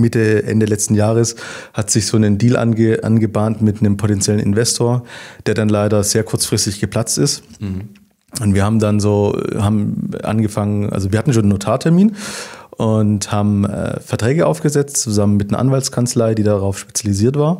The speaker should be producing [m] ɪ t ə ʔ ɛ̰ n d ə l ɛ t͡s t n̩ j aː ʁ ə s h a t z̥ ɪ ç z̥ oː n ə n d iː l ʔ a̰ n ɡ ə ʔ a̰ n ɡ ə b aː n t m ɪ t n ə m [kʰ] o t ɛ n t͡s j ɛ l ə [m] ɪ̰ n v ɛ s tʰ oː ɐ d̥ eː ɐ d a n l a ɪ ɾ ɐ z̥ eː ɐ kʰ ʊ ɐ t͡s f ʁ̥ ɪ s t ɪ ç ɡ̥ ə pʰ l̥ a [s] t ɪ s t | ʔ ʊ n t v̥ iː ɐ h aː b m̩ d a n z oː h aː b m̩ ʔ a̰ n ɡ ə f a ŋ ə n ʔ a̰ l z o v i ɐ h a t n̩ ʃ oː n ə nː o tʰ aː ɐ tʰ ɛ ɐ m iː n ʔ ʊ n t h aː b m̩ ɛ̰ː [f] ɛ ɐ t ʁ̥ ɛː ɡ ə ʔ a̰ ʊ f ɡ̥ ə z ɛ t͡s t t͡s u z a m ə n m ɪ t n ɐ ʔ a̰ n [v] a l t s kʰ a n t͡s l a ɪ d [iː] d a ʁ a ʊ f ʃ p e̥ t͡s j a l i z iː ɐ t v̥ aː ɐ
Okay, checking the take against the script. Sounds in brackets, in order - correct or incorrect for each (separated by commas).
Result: correct, incorrect, incorrect, incorrect, correct, correct, correct